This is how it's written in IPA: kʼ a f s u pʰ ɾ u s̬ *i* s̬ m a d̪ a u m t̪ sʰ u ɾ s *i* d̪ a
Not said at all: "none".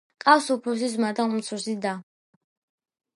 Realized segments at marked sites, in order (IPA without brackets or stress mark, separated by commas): i, i